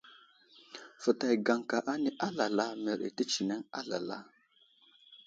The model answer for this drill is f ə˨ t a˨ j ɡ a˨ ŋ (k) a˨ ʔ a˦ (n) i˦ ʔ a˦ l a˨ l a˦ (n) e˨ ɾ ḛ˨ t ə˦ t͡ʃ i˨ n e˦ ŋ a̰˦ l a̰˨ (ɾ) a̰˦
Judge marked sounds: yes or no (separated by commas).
yes, yes, no, no